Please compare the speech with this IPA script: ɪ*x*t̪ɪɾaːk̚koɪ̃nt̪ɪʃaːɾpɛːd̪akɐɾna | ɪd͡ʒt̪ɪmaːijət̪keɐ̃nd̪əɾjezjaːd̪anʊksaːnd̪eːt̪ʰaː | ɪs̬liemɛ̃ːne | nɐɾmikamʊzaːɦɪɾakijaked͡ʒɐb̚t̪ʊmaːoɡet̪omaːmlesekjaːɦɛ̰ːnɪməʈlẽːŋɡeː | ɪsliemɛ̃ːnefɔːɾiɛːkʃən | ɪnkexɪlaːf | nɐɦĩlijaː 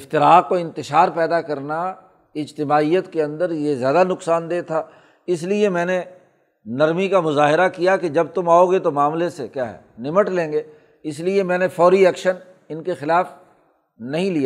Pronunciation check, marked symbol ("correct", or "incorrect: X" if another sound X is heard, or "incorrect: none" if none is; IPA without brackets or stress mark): incorrect: f